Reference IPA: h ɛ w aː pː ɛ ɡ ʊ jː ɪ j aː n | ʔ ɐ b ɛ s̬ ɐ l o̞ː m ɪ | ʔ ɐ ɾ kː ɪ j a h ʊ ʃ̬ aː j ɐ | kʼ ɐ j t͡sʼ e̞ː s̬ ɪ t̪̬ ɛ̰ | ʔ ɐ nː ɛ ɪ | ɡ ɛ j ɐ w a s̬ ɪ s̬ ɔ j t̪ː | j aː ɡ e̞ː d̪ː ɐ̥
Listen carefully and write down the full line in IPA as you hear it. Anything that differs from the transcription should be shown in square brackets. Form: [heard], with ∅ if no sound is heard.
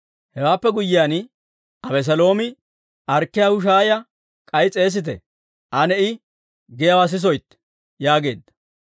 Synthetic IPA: h ɛ w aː pː ɛ ɡ ʊ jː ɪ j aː n | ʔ ɐ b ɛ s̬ ɐ l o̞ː m ɪ | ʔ ɐ ɾ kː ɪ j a h ʊ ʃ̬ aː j ɐ | kʼ ɐ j t͡sʼ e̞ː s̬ ɪ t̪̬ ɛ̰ | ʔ ɐ [n] ɛ ɪ | ɡ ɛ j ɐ w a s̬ ɪ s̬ ɔ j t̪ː | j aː ɡ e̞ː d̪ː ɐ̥